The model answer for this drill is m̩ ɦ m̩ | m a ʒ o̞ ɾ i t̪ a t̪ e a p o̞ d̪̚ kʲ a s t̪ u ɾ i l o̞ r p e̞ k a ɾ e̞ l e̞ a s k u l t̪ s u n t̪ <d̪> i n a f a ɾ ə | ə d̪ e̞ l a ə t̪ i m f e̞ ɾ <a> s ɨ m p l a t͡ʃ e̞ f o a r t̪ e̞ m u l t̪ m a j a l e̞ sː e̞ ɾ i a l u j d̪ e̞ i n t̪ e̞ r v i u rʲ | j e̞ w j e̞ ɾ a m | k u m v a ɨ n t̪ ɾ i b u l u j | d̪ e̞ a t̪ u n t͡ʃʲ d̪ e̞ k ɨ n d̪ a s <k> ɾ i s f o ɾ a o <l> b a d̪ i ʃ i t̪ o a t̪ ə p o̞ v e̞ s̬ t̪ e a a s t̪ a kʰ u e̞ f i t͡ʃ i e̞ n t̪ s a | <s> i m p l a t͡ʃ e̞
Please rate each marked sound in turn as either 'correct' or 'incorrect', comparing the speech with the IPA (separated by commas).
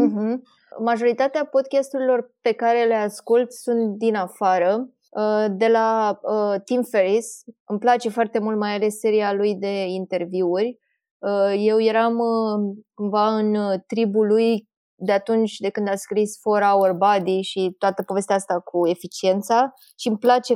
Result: correct, incorrect, correct, incorrect, incorrect